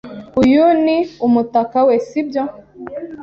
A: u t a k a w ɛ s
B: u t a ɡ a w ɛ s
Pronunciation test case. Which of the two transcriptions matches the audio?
A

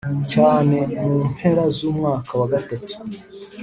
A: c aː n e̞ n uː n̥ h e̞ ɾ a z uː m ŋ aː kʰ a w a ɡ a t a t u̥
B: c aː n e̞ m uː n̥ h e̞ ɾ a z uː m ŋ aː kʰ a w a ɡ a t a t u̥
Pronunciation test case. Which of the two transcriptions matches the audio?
B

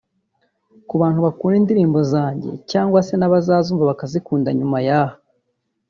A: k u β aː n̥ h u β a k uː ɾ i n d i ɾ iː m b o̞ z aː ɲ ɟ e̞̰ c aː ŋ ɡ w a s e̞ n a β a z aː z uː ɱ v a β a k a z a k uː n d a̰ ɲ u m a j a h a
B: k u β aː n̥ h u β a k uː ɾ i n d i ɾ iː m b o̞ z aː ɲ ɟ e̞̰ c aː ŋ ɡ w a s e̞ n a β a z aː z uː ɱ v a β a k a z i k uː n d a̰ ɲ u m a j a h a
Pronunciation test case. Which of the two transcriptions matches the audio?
B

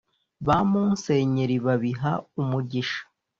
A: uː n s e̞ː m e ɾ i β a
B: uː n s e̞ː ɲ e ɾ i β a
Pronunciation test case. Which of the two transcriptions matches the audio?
B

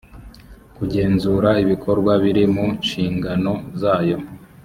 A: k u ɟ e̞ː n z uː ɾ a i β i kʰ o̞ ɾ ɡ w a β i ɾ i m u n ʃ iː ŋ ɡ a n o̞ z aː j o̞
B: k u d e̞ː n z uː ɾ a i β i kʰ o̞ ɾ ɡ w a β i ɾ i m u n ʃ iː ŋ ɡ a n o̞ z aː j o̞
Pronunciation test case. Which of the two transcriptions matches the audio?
A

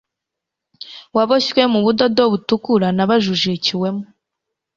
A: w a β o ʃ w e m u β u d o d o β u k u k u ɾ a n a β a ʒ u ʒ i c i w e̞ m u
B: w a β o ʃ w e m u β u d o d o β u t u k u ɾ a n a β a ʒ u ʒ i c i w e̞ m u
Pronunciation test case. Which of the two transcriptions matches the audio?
B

